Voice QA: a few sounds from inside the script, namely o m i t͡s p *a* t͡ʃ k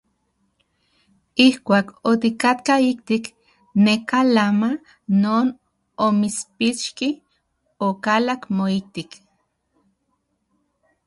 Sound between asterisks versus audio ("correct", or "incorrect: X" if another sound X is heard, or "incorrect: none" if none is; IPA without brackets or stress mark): incorrect: i